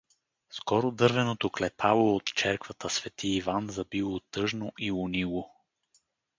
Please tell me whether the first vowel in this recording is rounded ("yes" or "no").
yes